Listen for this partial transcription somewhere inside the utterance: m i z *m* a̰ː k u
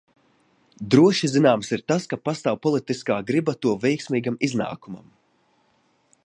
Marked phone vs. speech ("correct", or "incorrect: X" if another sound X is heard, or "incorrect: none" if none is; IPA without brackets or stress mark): incorrect: n